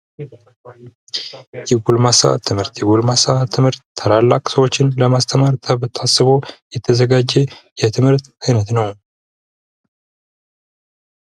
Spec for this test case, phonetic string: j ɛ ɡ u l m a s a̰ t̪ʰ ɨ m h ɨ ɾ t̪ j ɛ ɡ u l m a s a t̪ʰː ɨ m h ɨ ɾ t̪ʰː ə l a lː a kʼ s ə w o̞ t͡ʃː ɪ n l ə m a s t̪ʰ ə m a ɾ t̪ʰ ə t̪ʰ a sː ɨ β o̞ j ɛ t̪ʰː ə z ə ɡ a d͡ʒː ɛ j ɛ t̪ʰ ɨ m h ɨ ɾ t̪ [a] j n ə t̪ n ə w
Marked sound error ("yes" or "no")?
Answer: no